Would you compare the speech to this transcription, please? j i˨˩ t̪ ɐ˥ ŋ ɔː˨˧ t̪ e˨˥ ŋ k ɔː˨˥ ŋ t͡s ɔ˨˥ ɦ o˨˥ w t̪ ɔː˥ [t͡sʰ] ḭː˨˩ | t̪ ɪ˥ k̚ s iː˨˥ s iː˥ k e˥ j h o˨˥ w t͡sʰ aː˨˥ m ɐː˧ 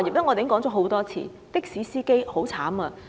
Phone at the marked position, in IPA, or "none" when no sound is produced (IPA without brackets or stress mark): t͡sʰ